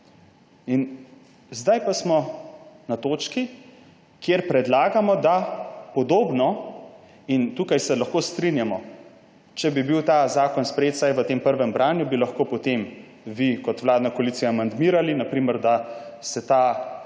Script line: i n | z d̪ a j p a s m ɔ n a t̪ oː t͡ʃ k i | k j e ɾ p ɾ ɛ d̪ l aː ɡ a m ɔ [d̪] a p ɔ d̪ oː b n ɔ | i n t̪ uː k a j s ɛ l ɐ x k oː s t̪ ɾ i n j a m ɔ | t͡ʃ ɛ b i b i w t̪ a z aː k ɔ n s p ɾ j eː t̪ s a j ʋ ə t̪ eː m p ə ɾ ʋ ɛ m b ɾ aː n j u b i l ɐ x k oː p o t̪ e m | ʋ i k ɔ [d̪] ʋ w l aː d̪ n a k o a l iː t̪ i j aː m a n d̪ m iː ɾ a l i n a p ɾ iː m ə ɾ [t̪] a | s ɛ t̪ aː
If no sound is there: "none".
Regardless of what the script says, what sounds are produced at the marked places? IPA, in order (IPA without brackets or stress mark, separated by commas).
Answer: d̪, t̪, d̪